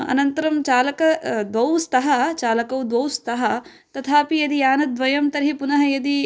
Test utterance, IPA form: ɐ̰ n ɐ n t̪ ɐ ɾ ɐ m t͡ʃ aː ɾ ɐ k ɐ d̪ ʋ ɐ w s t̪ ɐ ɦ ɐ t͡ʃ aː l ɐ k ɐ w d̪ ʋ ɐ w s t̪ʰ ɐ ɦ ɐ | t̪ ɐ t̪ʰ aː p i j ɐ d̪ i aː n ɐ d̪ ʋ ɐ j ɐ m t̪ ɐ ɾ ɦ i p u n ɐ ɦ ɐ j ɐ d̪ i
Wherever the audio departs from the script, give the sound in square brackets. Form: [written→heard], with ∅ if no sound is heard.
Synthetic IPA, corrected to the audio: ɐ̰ n ɐ n t̪ ɐ ɾ ɐ m t͡ʃ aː [ɾ→l] ɐ k ɐ d̪ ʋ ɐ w s t̪ ɐ ɦ ɐ t͡ʃ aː l ɐ k ɐ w d̪ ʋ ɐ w s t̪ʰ ɐ ɦ ɐ | t̪ ɐ t̪ʰ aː p i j ɐ d̪ i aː n ɐ d̪ ʋ ɐ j ɐ m t̪ ɐ ɾ ɦ i p u n ɐ ɦ ɐ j ɐ d̪ i

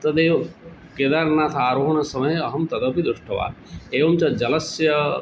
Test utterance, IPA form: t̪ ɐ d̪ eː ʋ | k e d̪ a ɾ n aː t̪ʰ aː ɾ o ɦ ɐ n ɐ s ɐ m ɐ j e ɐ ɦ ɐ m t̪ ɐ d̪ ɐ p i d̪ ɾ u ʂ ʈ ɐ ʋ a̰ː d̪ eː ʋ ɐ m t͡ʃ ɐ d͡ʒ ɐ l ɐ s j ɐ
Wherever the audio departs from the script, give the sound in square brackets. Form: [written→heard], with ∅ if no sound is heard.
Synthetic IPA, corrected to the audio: t̪ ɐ d̪ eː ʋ | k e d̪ a ɾ n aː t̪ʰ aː ɾ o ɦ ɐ n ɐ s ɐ m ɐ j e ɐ ɦ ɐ m t̪ ɐ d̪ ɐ p i d̪ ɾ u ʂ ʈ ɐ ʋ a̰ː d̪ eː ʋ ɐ m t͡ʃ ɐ d͡ʒ ɐ l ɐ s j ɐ

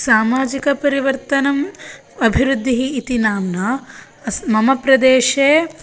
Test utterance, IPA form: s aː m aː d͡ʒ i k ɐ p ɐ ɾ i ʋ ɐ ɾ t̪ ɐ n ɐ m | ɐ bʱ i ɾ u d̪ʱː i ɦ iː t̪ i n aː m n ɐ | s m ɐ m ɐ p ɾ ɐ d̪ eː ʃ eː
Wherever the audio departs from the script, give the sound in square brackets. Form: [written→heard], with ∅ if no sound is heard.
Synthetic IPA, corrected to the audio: s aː m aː d͡ʒ i k ɐ p ɐ ɾ i ʋ ɐ ɾ t̪ ɐ n ɐ m | ɐ bʱ i ɾ u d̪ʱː i ɦ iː t̪ i n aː m n ɐ | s m ɐ m ɐ p ɾ ɐ d̪ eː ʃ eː

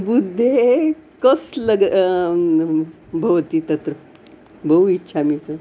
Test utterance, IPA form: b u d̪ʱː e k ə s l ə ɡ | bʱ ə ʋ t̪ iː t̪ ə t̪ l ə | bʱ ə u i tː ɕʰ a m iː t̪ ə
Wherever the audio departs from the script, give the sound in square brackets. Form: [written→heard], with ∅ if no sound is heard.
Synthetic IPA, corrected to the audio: b u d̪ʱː e k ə s l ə ɡ | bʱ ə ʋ t̪ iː t̪ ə t̪ [l→ɾ] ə | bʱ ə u i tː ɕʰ a m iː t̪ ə

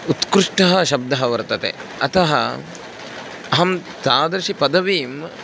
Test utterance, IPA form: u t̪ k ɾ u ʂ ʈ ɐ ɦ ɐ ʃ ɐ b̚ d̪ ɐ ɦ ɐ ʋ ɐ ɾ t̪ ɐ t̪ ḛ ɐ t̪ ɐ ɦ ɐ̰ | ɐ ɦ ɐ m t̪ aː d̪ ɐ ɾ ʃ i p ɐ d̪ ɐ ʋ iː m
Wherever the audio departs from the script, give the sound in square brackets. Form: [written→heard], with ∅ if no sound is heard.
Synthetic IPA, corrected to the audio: u t̪ k ɾ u ʂ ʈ ɐ ɦ ɐ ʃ ɐ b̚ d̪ ɐ ɦ ɐ ʋ ɐ ɾ t̪ ɐ t̪ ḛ ɐ t̪ ɐ ɦ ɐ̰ | ɐ ɦ ɐ m t̪ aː d̪ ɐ ɾ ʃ i p ɐ d̪ ɐ ʋ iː m

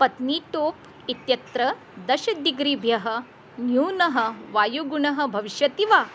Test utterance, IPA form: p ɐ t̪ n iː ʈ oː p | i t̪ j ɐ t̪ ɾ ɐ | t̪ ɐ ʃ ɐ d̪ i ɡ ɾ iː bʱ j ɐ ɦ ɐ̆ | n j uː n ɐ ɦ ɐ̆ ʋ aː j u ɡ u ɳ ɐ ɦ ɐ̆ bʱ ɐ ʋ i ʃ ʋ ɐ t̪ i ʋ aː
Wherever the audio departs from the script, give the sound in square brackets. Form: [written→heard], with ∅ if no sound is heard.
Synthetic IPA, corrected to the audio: p ɐ t̪ n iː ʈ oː p | i t̪ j ɐ t̪ ɾ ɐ | [t̪→d̪] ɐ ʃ ɐ d̪ i ɡ ɾ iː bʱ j ɐ ɦ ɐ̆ | n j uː n ɐ ɦ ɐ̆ ʋ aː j u ɡ u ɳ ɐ ɦ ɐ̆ bʱ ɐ ʋ i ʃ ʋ ɐ t̪ i ʋ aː

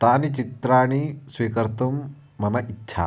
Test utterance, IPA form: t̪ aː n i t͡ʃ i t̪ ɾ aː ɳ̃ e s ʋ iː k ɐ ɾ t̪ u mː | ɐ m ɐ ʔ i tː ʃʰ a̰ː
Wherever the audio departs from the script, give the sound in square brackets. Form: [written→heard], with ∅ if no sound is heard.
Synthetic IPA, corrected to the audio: t̪ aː n i t͡ʃ i t̪ ɾ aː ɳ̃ [e→i] s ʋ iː k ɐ ɾ t̪ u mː | ɐ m ɐ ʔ i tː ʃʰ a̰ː

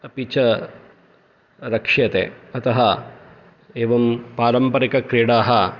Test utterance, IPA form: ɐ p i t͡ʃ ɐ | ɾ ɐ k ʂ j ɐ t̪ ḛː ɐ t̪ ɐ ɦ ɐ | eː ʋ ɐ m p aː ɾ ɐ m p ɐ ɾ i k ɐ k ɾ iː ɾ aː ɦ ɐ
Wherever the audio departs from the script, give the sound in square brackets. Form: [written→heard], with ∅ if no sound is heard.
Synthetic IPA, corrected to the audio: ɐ p i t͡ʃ ɐ | ɾ ɐ k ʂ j ɐ t̪ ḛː ɐ t̪ ɐ ɦ ɐ | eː ʋ ɐ m p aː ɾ ɐ m p ɐ ɾ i k ɐ k ɾ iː [ɾ→ɽ] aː ɦ ɐ

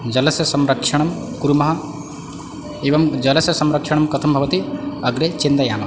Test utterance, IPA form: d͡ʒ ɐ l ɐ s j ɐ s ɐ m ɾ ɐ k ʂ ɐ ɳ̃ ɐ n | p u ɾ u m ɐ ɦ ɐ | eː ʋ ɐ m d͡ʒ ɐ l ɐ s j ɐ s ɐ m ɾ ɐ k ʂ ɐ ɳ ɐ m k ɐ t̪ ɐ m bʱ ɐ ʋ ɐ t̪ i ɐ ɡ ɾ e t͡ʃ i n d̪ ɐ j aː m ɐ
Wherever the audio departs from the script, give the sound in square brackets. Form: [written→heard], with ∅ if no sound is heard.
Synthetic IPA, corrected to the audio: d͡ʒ ɐ l ɐ s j ɐ s ɐ m ɾ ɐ k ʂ ɐ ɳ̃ ɐ [n→m] | [p→k] u ɾ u m ɐ ɦ ɐ | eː ʋ ɐ m d͡ʒ ɐ l ɐ s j ɐ s ɐ m ɾ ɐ k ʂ ɐ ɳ ɐ m k ɐ [t̪→t̪ʰ] ɐ m bʱ ɐ ʋ ɐ t̪ i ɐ ɡ ɾ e t͡ʃ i n d̪ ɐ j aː m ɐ

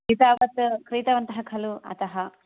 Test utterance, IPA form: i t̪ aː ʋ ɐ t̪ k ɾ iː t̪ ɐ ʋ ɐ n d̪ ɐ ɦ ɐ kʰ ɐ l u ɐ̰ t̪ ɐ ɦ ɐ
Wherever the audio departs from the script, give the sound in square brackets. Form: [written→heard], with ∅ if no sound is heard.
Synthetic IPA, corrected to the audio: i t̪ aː ʋ ɐ t̪ k ɾ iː t̪ ɐ ʋ ɐ n [d̪→t̪] ɐ ɦ ɐ kʰ ɐ l u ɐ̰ t̪ ɐ ɦ ɐ

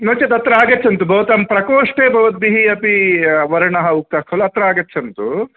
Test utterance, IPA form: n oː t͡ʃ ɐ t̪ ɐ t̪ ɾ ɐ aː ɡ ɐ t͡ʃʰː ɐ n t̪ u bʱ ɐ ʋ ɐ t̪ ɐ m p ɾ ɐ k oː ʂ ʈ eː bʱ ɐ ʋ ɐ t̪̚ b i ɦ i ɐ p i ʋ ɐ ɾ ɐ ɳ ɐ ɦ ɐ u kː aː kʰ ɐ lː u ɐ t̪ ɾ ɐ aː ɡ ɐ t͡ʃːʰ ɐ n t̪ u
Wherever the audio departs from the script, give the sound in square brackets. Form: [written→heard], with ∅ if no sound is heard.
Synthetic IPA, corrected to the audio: n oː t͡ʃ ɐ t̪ ɐ t̪ ɾ ɐ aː ɡ ɐ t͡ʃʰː ɐ n t̪ u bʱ ɐ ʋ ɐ t̪ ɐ m p ɾ ɐ k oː ʂ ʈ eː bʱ ɐ ʋ ɐ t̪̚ b i ɦ i ɐ p i ʋ ɐ ɾ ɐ ɳ ɐ ɦ ɐ u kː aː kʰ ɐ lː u ɐ t̪ ɾ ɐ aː ɡ ɐ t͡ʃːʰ ɐ n t̪ u

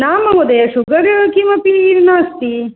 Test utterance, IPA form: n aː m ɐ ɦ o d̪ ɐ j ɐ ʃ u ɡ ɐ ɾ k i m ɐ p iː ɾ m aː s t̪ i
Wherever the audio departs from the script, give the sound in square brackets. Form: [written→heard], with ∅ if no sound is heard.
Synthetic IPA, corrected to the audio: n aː m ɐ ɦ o d̪ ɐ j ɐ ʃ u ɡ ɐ ɾ k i m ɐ p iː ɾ [m→n] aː s t̪ i

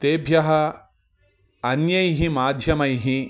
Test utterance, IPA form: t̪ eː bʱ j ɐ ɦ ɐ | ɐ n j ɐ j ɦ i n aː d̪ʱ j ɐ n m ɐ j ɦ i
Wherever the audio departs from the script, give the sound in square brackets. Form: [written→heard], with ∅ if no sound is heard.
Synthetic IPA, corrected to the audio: t̪ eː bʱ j ɐ ɦ ɐ | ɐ n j ɐ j ɦ i [n→m] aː d̪ʱ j ɐ [n→∅] m ɐ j ɦ i

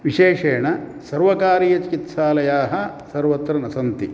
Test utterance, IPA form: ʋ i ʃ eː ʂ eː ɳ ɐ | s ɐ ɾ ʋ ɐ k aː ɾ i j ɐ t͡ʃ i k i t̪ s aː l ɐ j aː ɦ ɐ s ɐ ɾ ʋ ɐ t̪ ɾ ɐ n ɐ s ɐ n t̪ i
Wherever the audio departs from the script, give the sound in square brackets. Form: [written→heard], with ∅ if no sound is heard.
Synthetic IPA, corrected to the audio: ʋ i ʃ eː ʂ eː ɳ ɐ | s ɐ ɾ ʋ ɐ k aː ɾ i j ɐ t͡ʃ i k i t̪ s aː l ɐ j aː ɦ ɐ s ɐ ɾ ʋ ɐ t̪ ɾ ɐ n ɐ s ɐ n t̪ i

